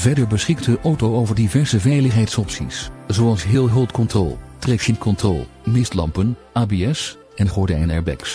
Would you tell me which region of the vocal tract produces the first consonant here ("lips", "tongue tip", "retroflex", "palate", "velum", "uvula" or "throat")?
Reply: lips